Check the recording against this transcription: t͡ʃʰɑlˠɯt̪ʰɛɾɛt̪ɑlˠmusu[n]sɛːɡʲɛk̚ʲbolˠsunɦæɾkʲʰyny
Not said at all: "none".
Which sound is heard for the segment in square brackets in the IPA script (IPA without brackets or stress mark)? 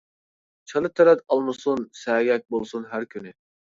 n